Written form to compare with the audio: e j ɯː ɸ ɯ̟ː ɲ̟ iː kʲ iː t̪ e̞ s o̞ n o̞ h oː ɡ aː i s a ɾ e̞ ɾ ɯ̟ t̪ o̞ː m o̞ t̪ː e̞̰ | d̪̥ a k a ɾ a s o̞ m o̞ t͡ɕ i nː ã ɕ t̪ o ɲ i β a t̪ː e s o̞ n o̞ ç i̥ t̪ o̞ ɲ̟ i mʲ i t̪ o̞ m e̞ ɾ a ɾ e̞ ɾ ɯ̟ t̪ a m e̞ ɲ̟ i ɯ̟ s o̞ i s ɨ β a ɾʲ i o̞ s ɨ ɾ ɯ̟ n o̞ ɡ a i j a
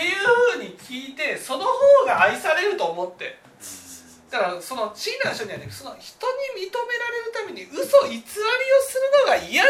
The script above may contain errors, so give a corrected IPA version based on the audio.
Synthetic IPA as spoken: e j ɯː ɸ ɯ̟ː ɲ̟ i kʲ iː t̪ e̞ s o̞ n o̞ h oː ɡ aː i s a ɾ e̞ ɾ ɯ̟ t̪ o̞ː m o̞ t̪ː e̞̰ | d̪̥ a k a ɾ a s o̞ n o̞ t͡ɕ i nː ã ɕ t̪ o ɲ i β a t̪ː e s o̞ n o̞ ç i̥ t̪ o̞ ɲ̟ i mʲ i t̪ o̞ m e̞ ɾ a ɾ e̞ ɾ ɯ̟ t̪ a m e̞ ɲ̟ i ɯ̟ s o̞ i t͡s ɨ β a ɾʲ i o̞ s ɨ ɾ ɯ̟ n o̞ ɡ a i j a